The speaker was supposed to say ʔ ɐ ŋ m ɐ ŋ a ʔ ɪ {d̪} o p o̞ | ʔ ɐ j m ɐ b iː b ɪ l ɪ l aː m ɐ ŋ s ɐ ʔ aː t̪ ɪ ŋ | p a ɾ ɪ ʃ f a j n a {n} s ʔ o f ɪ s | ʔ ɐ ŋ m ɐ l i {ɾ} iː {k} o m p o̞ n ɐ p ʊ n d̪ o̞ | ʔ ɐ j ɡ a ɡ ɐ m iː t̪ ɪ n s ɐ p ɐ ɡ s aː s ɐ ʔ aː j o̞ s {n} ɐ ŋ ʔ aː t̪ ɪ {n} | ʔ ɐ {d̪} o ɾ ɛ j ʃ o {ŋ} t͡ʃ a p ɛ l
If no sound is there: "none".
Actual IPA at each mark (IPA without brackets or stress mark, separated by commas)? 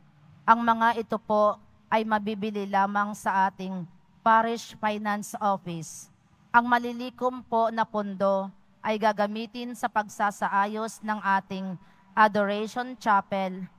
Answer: t̪, n, l, k, n, ŋ, d̪, n